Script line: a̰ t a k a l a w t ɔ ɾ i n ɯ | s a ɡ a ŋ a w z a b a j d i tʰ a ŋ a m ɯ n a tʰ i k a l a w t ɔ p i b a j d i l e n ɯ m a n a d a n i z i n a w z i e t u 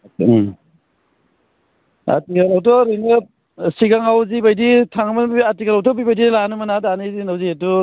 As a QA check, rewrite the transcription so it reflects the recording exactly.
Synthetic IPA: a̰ t i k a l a w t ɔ ɾ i n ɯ | s i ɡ a ŋ a w z i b a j d i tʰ a ŋ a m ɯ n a t i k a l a w t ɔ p i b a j d i l a n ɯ m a n a d a n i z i n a w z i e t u